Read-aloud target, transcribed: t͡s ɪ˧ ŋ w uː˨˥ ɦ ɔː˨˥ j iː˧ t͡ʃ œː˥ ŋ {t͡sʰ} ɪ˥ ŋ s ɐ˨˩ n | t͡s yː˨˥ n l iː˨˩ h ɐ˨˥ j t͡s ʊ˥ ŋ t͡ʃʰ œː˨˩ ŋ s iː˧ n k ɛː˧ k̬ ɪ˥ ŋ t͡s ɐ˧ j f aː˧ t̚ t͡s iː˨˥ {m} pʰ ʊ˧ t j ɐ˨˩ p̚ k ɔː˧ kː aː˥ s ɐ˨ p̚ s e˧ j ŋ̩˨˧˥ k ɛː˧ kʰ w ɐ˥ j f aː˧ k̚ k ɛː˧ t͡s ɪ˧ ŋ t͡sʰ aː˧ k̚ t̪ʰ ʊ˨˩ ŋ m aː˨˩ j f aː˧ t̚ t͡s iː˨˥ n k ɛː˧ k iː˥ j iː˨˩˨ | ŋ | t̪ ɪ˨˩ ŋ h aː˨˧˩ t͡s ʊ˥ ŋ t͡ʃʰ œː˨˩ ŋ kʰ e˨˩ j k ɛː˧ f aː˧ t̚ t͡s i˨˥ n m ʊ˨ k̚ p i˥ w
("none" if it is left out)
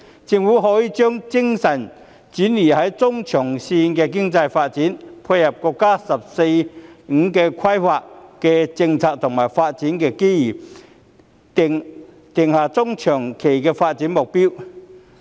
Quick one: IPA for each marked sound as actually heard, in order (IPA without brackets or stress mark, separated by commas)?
t͡s, n